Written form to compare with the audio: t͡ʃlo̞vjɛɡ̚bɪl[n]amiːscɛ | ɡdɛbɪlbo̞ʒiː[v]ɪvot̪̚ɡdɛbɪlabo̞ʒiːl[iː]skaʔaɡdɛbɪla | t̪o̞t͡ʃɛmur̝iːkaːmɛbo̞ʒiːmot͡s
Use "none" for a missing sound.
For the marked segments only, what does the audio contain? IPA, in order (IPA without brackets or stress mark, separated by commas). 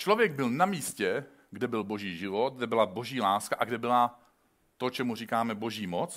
n, ʒ, aː